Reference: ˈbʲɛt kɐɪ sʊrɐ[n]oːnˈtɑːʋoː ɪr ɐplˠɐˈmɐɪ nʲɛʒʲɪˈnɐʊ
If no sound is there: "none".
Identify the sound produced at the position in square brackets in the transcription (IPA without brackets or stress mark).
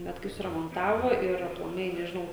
m